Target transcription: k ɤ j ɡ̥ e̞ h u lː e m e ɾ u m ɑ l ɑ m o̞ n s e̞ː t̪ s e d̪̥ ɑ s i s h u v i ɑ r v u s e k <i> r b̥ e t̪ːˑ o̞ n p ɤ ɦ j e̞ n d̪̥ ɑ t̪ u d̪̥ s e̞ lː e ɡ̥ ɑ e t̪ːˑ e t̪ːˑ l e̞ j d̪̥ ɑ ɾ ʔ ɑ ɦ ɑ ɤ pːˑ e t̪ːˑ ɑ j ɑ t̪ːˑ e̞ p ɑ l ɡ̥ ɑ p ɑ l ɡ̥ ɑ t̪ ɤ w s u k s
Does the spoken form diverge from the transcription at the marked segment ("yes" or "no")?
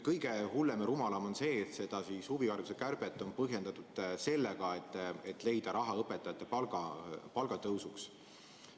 yes